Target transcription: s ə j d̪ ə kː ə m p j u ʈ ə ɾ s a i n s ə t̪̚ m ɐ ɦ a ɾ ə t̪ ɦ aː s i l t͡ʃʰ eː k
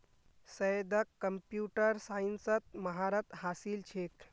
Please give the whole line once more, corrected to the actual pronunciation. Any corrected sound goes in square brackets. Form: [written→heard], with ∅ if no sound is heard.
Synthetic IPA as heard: s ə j d̪ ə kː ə m p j u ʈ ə ɾ s a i n s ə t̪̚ m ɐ ɦ a ɾ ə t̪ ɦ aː s i l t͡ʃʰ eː k